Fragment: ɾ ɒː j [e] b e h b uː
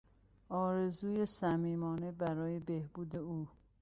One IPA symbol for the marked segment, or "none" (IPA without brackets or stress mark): e